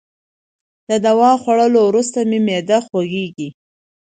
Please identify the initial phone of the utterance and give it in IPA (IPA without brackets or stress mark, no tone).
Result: d̪